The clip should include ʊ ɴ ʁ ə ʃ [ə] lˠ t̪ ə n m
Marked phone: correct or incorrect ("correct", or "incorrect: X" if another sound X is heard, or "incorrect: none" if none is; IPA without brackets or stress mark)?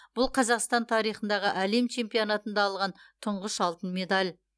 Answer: incorrect: ɑ